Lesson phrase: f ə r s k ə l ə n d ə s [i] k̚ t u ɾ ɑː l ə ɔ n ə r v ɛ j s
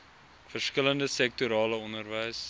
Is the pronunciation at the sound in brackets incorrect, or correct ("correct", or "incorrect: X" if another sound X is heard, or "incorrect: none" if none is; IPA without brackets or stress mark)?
incorrect: ɛ